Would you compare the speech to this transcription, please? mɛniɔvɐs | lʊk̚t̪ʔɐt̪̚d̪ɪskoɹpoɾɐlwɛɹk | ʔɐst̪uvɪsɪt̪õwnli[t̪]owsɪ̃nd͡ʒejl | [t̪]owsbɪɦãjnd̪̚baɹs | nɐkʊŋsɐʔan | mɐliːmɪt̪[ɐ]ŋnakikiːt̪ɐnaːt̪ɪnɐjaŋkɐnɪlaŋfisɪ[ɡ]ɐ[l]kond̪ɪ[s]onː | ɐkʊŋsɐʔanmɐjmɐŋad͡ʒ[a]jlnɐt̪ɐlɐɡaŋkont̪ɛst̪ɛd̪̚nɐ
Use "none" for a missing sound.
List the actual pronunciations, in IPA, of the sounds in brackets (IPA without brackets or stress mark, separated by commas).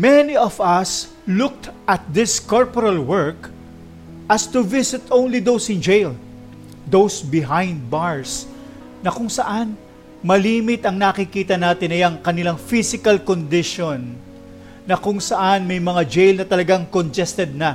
d̪, d̪, ɐ, k, l, ʃ, e